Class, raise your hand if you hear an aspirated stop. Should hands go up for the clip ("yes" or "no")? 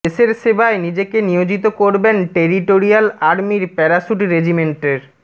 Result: no